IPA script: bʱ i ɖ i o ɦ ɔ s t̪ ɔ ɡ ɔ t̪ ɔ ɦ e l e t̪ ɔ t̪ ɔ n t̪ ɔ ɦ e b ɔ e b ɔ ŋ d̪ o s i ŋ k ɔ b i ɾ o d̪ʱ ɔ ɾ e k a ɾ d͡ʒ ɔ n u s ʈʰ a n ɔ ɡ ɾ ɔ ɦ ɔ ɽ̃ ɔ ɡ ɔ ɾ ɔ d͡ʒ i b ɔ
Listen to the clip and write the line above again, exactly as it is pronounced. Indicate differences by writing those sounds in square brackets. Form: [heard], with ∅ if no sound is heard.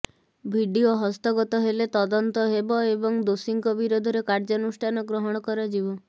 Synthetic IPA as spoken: bʱ i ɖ i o ɦ ɔ s t̪ ɔ ɡ ɔ t̪ ɔ ɦ e l e t̪ ɔ [d̪] ɔ n t̪ ɔ ɦ e b ɔ e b ɔ ŋ d̪ o s i ŋ k ɔ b i ɾ o d̪ʱ ɔ ɾ e k a ɾ d͡ʒ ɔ n u s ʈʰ a n ɔ ɡ ɾ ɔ ɦ ɔ ɽ̃ ɔ [k] ɔ ɾ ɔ d͡ʒ i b ɔ